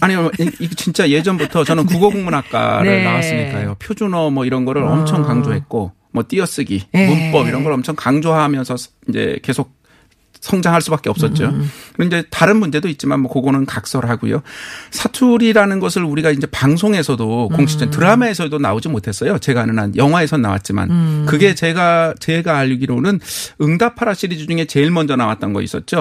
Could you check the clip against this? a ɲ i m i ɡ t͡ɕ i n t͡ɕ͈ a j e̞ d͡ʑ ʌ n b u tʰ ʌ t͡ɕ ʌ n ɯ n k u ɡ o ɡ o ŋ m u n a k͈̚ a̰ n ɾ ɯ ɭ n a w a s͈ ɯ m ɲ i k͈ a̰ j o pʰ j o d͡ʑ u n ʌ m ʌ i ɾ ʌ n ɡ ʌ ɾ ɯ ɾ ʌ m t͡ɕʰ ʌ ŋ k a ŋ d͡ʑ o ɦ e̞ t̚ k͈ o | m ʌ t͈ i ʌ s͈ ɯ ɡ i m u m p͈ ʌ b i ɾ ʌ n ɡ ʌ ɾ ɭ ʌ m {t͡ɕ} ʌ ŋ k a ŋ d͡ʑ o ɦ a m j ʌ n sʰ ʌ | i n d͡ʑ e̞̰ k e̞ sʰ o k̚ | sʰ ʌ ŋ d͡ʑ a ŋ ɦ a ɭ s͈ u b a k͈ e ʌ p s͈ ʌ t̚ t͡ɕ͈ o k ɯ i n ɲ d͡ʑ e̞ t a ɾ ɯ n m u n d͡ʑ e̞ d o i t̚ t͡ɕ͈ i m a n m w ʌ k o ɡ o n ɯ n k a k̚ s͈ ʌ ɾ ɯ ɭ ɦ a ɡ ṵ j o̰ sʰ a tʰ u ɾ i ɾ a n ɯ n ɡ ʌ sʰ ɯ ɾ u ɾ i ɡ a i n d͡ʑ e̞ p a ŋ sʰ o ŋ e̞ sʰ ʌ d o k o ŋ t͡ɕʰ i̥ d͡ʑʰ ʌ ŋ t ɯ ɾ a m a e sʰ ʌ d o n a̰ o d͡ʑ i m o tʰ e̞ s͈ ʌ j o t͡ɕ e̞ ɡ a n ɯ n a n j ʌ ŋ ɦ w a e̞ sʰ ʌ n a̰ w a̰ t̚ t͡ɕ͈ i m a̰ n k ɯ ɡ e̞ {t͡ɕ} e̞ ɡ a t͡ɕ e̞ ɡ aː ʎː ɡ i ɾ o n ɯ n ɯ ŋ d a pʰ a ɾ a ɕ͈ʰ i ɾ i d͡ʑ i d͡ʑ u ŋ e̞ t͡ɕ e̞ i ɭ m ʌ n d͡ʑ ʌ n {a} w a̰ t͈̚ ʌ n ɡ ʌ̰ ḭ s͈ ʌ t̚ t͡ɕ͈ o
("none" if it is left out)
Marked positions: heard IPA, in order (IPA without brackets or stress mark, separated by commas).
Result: t͡ɕʰ, t͡ɕ, a